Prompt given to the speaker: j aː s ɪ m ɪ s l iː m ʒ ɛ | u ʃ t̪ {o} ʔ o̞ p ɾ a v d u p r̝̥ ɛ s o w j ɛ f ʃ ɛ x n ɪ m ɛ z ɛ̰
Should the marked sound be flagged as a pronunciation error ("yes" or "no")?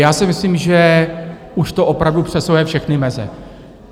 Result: no